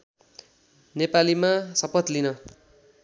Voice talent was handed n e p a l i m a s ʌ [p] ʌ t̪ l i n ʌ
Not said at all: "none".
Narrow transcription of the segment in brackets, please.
p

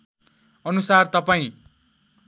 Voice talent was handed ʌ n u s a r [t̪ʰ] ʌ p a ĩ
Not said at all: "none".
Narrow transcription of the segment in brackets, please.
t̪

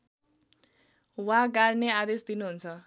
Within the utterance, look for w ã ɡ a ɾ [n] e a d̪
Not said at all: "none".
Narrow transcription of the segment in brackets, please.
n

